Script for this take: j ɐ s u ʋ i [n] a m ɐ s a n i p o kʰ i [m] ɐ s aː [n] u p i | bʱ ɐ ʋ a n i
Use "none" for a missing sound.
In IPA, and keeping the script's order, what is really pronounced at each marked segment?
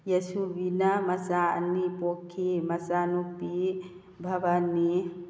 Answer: n, m, n

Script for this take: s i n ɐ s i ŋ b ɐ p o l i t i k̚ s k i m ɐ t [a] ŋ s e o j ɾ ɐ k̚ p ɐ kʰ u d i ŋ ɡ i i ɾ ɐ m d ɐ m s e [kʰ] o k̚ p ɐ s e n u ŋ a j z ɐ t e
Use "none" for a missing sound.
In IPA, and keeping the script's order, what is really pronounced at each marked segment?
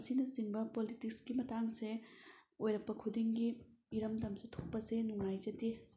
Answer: a, tʰ

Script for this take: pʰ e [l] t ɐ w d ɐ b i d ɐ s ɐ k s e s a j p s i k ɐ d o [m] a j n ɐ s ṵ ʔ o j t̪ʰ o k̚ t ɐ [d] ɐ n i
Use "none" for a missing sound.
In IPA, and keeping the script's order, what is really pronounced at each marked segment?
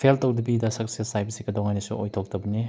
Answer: l, ŋ, b

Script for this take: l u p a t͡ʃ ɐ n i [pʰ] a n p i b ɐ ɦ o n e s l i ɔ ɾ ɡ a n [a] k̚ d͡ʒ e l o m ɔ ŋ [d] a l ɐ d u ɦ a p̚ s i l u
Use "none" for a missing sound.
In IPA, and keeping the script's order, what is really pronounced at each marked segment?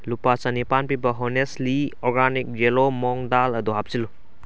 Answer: p, i, d

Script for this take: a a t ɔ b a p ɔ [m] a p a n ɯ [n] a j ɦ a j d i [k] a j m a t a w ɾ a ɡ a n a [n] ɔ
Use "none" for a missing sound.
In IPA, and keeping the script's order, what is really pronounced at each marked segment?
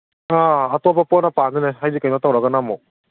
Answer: n, n, k, m

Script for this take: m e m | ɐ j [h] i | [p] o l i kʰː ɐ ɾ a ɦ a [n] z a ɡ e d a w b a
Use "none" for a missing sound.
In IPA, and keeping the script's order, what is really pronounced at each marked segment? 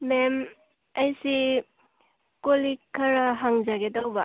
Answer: s, k, ŋ

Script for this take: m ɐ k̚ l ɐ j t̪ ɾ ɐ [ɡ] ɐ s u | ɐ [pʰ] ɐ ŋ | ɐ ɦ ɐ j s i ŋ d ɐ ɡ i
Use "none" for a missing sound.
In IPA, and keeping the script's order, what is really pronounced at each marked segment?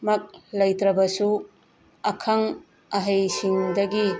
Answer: b, kʰ

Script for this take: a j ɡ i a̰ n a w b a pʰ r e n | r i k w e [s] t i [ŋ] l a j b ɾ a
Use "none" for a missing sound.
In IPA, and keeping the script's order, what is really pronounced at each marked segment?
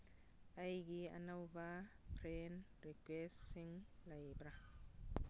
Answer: s, ŋ

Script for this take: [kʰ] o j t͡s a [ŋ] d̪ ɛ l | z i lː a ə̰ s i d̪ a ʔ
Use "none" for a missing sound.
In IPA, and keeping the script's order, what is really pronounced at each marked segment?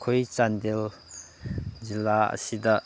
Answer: kʰ, n

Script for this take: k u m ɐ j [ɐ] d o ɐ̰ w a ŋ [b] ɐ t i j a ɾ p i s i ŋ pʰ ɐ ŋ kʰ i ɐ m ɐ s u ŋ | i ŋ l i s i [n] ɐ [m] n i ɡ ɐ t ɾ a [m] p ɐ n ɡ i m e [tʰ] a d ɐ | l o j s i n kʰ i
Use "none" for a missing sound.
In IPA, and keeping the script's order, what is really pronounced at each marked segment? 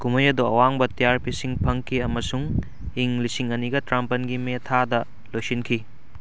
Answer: ɐ, b, ŋ, none, m, tʰ

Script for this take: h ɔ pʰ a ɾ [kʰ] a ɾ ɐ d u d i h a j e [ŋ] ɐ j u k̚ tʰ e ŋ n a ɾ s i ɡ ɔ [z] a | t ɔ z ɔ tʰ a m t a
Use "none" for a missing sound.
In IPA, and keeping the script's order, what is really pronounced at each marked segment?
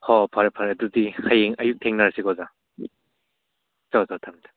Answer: pʰ, ŋ, z

